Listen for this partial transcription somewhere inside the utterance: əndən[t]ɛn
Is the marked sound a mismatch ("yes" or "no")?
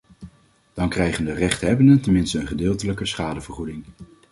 no